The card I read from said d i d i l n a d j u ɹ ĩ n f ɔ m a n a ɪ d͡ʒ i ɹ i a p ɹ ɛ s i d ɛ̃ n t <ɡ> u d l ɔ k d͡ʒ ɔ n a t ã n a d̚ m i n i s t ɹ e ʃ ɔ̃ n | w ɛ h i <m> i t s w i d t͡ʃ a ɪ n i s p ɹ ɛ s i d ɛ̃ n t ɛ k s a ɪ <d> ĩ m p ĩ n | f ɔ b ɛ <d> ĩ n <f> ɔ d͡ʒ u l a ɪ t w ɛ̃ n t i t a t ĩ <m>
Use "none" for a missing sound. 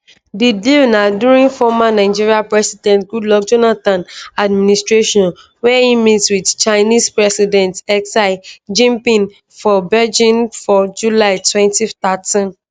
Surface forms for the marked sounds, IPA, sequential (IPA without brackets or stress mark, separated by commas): ɡ, m, d͡ʒ, d͡ʒ, f, n